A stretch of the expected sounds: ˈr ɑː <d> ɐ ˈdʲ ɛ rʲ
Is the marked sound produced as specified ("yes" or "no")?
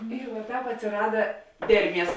yes